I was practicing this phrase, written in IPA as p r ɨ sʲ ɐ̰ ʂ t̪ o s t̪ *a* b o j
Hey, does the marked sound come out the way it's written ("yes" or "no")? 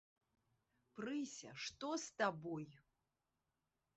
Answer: yes